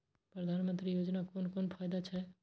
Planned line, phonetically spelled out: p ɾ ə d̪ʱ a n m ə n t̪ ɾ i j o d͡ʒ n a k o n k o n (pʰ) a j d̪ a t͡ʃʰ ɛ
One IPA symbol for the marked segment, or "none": pʰ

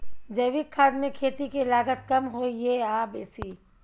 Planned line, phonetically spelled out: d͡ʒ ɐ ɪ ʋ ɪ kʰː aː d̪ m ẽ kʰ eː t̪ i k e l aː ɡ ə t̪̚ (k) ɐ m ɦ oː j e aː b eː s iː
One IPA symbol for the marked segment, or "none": k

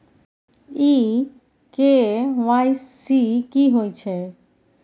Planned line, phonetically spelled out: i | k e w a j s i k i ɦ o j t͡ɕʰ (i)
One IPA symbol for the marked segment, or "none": e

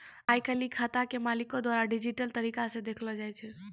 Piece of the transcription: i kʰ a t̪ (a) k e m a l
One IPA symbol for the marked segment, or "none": a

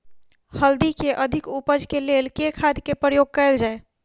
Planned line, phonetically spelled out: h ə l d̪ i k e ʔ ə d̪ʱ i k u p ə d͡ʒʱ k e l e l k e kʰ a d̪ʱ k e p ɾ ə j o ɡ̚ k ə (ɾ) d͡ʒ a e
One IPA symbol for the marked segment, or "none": l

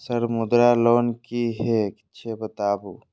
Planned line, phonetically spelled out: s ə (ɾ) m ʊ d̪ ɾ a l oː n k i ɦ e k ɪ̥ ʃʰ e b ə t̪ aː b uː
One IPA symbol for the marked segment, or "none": ɾ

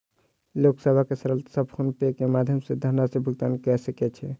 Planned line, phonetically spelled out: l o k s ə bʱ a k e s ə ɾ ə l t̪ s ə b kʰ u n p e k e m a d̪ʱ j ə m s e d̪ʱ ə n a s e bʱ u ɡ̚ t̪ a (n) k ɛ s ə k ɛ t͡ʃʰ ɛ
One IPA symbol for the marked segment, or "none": n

